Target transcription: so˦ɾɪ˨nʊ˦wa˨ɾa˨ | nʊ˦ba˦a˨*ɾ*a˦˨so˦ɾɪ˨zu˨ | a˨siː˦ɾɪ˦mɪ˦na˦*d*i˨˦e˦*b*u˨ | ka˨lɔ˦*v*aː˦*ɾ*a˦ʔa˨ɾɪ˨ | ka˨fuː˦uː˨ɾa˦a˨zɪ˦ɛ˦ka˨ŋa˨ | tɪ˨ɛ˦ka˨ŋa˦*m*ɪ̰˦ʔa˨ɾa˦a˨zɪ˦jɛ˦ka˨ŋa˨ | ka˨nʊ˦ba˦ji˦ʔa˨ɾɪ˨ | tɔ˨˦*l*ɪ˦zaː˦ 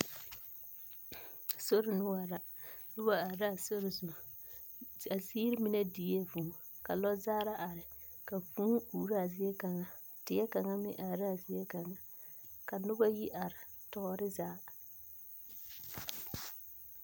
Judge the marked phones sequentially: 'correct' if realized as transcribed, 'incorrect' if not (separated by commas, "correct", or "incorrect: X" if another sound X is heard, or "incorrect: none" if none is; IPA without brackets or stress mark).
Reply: correct, correct, incorrect: v, incorrect: z, correct, correct, incorrect: ɾ